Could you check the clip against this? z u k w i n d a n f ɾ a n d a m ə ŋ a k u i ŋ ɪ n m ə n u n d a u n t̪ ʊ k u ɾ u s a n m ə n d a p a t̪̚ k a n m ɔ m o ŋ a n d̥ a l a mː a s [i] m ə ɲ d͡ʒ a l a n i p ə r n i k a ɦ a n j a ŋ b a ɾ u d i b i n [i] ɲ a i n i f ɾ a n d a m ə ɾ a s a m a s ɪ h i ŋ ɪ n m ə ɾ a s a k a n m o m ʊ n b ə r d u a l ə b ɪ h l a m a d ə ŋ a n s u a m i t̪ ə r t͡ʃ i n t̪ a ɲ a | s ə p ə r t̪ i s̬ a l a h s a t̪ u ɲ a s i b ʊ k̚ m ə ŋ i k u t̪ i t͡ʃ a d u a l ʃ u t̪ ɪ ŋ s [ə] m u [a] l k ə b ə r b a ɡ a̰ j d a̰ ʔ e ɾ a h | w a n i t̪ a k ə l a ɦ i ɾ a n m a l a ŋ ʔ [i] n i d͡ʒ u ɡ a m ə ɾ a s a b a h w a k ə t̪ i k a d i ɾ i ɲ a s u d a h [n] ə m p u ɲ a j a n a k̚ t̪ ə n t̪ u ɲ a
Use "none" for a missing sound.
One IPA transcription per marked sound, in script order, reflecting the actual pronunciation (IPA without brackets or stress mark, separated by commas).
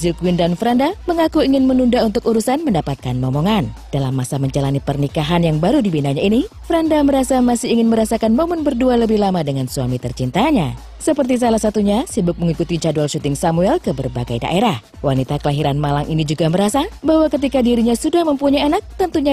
a, a, a, ɛ, i, m